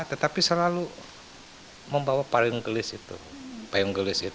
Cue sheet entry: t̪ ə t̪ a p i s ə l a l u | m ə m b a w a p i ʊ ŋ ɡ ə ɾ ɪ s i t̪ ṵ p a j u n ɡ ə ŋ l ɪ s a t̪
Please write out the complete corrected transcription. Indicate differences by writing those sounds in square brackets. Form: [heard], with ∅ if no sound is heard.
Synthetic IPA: t̪ ə t̪ a p i s ə l a l u | m ə m b a w a p [a] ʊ ŋ ɡ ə [l] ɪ s i t̪ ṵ p a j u [ŋ] ɡ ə [∅] l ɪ s [i] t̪